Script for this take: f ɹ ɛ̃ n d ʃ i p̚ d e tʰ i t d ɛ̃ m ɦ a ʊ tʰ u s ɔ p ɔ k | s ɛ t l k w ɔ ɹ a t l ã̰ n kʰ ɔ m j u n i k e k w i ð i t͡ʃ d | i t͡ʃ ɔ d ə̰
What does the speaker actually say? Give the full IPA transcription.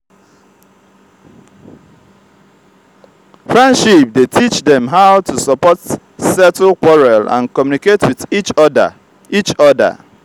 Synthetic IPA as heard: f ɹ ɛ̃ n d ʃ i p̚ d e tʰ i t͡ʃ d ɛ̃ m ɦ a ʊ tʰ u s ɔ p ɔ t | s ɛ t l k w ɔ ɹ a l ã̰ n k ɔ m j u n i k e t w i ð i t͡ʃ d | i t͡ʃ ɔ d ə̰

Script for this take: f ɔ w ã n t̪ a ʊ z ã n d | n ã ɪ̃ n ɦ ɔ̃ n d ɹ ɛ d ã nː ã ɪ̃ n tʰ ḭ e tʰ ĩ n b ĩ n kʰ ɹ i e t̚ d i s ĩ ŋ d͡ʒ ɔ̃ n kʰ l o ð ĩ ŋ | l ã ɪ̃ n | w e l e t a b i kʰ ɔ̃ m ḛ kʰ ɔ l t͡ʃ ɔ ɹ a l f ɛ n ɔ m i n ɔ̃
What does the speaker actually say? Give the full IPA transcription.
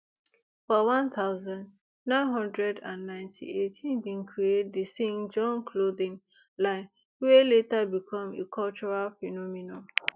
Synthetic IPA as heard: f ɔ w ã n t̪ a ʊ z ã n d | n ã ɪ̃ n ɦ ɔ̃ n d ɹ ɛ d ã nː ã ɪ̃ n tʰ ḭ e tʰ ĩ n b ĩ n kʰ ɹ i e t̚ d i s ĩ ŋ d͡ʒ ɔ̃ n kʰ l o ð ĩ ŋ | l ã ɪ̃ n | w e l e t a b i kʰ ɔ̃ m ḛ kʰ ɔ l t͡ʃ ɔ ɹ a l f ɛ n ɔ m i n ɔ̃

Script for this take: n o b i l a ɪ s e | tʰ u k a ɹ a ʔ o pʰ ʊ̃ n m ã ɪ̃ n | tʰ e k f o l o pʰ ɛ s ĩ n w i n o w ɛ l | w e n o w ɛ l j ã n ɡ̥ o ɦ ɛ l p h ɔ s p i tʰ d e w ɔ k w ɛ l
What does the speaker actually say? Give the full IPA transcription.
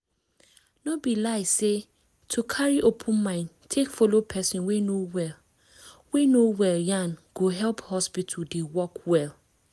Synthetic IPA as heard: n o b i l a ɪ s e | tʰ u kʰ a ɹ i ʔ o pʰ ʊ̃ n m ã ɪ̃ n | tʰ e k f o l o pʰ ɛ s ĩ n w e n o w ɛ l | w e n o w ɛ l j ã n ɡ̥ o ɦ ɛ l p h ɔ s p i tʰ d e w ɔ k w ɛ l

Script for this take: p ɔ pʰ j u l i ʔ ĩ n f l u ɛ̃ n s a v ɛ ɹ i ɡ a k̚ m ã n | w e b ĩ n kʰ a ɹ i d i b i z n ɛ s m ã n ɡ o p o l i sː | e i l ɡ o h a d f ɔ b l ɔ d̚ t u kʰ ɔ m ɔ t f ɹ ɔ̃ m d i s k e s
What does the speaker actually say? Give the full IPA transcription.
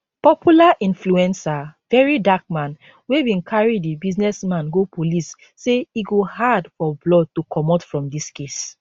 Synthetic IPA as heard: p ɔ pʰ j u l a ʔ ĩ n f l u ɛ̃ n s a v ɛ ɹ i d a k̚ m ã n | w e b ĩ n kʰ a ɹ i d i b i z n ɛ s m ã n ɡ o p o l i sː | e i ɡ o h a d f ɔ b l ɔ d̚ t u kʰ ɔ m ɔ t f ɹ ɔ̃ m d i s k e s

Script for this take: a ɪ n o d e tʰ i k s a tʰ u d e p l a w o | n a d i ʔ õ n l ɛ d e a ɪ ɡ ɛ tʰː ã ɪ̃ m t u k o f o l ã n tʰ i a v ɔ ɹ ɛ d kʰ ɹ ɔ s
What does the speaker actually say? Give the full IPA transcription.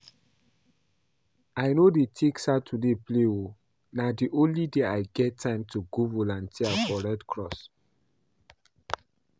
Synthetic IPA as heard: a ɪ n o d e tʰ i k s a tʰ u d e p l e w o | n a d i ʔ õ n l i d e a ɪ ɡ ɛ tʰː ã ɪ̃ m t u ɡ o v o l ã n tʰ i a f ɔ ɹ ɛ d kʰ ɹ ɔ s

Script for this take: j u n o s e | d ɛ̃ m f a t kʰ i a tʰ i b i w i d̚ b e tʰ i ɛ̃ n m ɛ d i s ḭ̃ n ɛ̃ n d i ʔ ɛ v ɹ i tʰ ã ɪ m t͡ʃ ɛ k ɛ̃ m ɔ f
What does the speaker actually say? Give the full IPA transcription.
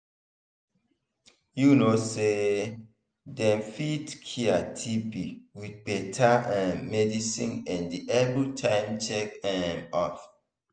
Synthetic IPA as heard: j u n o s e | d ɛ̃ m f i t kʰ i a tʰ i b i w i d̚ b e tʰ a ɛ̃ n m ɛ d i s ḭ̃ n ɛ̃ n d i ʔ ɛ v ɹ i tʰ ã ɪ m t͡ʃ ɛ k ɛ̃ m ɔ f

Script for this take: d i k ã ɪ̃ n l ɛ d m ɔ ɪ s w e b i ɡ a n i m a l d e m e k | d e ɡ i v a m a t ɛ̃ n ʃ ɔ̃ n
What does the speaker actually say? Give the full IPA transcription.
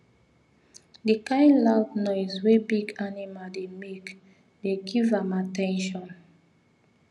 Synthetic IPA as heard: d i k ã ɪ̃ n l a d n ɔ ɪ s w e b i ɡ a n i m a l d e m e k | d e ɡ i v a m a t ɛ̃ n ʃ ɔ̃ n

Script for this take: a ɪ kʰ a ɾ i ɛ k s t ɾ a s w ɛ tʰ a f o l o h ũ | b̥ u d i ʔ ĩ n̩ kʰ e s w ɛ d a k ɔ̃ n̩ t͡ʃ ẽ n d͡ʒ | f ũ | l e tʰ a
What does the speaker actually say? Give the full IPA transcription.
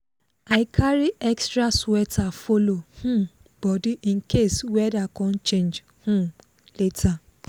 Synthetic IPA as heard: a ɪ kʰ a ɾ i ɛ k s t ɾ a s w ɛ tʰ a f o l o h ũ | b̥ ɔ d i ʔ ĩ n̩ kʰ e s w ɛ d a k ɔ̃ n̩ t͡ʃ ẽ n d͡ʒ | h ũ | l e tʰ a

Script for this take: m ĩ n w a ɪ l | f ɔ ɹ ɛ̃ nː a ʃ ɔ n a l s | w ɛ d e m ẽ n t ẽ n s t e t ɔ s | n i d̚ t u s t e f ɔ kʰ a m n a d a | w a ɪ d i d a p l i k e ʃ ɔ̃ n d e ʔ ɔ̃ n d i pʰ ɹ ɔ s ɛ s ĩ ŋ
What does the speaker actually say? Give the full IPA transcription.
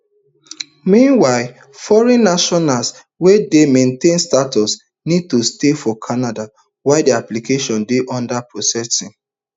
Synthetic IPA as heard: m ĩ n w a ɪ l | f ɔ ɹ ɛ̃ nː a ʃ ɔ n a l s | w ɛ d e m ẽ n t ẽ n s t a t ɔ s | n i d̚ t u s t e f ɔ kʰ a n a d a | w a ɪ d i a p l i k e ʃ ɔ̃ n d e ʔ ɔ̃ n d a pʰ ɹ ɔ s ɛ s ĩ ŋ

